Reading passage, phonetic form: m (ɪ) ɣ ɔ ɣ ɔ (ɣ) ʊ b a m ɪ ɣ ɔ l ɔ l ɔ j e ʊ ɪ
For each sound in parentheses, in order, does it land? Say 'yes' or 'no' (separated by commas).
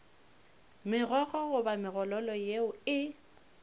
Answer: yes, yes